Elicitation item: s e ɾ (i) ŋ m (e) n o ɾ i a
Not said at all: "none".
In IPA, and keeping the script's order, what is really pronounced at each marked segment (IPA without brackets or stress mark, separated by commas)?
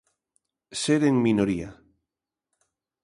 e, i